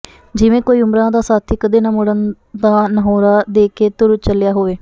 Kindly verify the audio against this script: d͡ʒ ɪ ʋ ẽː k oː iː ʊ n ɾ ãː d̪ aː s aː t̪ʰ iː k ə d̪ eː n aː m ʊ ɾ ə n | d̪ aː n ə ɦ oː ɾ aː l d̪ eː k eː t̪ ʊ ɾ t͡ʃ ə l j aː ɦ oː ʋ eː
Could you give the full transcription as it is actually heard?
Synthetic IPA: d͡ʒ ɪ ʋ ẽː k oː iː ʊ m ɾ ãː d̪ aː s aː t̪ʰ iː k ə d̪ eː n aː m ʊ ɽ ə n | d̪ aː n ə ɦ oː ɾ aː d̪ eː k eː t̪ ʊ ɾ t͡ʃ ə l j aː ɦ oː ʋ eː